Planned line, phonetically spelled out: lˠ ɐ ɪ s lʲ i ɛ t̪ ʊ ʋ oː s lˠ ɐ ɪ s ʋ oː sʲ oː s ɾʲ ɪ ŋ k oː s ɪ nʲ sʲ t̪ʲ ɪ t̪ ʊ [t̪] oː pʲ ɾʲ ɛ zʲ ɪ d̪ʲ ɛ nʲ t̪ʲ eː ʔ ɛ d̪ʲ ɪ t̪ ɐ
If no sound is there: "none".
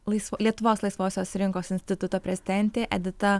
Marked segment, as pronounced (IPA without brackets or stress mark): t̪